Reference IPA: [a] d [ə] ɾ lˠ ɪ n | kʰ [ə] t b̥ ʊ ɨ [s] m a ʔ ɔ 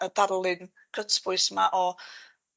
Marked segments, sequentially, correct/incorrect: incorrect: ə, incorrect: a, correct, correct

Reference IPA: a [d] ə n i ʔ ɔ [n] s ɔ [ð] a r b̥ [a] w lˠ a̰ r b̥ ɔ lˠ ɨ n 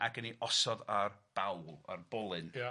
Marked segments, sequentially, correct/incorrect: incorrect: ɡ, incorrect: none, correct, correct

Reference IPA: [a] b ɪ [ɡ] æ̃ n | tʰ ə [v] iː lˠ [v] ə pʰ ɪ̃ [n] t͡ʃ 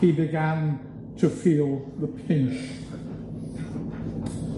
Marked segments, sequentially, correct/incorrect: incorrect: i, correct, incorrect: f, incorrect: ð, correct

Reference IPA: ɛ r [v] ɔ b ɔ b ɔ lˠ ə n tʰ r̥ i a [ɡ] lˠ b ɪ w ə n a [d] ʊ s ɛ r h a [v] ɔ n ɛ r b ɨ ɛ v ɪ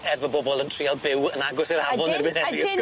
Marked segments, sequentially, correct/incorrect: correct, incorrect: none, incorrect: ɡ, correct

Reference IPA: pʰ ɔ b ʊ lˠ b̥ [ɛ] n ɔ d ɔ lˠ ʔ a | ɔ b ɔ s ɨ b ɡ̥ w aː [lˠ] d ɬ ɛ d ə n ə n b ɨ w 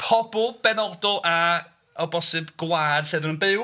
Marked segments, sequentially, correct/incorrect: correct, incorrect: none

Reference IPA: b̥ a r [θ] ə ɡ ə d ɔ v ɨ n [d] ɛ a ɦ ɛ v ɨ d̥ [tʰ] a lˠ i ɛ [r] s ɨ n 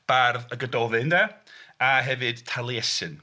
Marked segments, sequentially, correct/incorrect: incorrect: ð, correct, correct, incorrect: none

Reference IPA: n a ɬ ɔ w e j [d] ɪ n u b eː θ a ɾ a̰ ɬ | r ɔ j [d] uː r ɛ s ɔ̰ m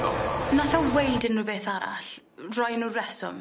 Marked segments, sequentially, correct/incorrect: correct, incorrect: n

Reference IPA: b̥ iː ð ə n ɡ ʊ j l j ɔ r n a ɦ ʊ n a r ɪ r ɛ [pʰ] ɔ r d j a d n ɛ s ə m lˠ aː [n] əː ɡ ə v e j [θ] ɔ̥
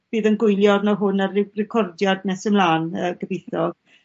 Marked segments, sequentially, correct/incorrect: incorrect: kʰ, correct, correct

